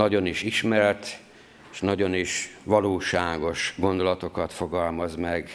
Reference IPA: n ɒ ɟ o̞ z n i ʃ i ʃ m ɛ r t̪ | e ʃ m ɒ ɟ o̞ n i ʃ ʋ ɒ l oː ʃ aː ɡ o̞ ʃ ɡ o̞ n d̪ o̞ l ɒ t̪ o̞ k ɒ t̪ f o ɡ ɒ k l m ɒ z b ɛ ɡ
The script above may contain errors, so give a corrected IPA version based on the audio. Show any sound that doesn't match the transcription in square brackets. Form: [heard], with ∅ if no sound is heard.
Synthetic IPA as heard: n ɒ ɟ o̞ [∅] n i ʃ i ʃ m ɛ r t̪ | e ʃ [n] ɒ ɟ o̞ n i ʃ ʋ ɒ l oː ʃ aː ɡ o̞ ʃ ɡ o̞ n d̪ o̞ l ɒ t̪ o̞ k ɒ t̪ f o ɡ ɒ [∅] l m ɒ z [m] ɛ ɡ